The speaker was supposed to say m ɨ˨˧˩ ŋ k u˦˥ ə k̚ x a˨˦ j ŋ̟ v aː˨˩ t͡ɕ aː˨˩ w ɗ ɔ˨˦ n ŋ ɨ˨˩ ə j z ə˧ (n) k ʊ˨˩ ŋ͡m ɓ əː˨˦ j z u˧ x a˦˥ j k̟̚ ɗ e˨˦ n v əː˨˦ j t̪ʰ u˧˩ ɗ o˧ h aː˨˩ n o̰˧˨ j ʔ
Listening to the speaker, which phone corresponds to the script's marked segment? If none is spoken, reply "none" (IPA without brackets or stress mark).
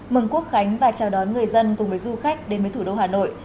n